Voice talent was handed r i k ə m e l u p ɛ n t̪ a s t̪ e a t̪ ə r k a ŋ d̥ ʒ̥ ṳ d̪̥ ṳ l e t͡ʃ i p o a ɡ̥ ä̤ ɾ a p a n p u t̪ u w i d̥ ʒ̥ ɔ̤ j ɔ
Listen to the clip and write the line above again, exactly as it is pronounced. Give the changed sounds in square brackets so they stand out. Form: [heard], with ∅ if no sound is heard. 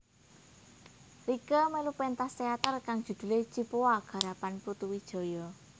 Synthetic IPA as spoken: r i k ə m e l u p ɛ n t̪ a s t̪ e a t̪ ə r k a ŋ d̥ ʒ̥ ṳ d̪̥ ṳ l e t͡ʃ i p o a ɡ̥ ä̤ ɾ a p a n p u t̪ u w i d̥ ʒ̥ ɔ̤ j ɔ

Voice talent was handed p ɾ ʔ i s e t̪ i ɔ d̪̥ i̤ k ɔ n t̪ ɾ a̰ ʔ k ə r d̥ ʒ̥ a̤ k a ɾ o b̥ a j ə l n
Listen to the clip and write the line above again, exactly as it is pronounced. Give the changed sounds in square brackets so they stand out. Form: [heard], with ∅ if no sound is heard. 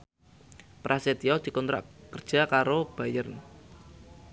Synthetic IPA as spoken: p ɾ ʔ [a] s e t̪ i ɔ d̪̥ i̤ k ɔ n t̪ ɾ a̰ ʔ k ə r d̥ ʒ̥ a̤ k a ɾ o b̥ a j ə [r] n

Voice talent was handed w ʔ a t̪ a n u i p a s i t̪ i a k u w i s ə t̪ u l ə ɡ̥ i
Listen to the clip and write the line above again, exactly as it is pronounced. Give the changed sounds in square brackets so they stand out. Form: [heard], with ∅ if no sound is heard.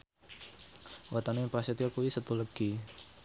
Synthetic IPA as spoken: w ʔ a t̪ a n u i p a s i t̪ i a k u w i s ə t̪ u l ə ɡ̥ i

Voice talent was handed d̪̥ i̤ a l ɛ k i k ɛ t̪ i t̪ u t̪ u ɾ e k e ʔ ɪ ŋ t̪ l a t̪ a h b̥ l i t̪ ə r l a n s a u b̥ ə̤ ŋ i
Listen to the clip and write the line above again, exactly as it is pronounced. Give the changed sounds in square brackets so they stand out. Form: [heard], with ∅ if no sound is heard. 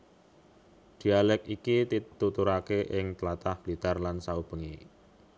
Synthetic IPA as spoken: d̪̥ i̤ a l ɛ k i k [i] t̪ i t̪ u t̪ u ɾ [a] k e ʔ ɪ ŋ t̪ l a t̪ a h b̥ l i t̪ [a] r l a n s a u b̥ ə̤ ŋ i

